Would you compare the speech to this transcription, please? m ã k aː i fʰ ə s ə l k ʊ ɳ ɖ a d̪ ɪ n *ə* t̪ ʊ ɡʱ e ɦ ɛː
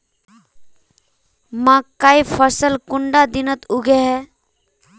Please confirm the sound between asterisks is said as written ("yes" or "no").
yes